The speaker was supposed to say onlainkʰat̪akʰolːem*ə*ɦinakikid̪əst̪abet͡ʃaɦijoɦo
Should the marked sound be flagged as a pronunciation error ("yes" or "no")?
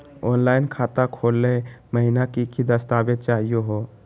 no